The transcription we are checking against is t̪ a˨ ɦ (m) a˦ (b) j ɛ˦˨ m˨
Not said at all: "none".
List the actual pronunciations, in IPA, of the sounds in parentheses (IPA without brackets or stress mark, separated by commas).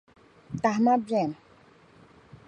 m, b